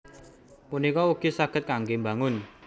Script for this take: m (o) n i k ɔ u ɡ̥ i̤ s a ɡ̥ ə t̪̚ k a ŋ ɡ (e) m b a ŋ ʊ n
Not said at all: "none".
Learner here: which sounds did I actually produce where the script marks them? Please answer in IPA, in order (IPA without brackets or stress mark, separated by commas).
u, e